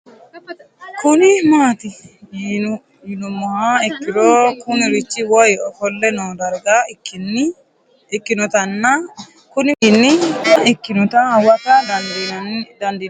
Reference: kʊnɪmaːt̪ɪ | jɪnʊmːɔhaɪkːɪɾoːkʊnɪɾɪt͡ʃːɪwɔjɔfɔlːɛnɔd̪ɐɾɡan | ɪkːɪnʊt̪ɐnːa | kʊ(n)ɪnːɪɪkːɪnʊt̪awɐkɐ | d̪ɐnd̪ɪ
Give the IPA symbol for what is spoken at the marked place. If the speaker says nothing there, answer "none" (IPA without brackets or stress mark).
n